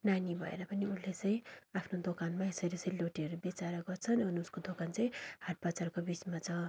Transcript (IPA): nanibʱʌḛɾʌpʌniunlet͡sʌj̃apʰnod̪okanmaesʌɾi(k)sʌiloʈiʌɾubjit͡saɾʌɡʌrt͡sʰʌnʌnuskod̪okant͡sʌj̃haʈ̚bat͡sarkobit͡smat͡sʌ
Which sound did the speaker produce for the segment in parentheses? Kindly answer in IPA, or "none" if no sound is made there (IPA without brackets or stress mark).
none